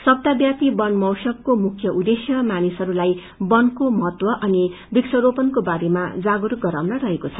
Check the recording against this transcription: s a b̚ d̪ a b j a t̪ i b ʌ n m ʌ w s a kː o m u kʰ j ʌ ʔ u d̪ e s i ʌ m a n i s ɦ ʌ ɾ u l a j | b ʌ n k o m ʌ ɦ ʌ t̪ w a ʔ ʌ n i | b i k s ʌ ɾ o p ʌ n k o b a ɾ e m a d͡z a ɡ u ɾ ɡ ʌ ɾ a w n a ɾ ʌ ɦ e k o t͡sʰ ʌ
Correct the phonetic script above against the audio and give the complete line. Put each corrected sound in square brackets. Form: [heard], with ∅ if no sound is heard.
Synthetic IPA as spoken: s [ʌ] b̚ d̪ a b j a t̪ i b ʌ n m ʌ w s [ʌ] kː o m u kʰ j ʌ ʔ u d̪ e s [j] ʌ m a n i s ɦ ʌ ɾ u l a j | b ʌ n k o m ʌ ɦ ʌ t̪ w [ʌ] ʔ ʌ n i | b i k s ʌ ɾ o p ʌ n k o b a ɾ e m a d͡z a ɡ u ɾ ɡ ʌ ɾ a w n [ʌ] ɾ ʌ ɦ e k o t͡sʰ ʌ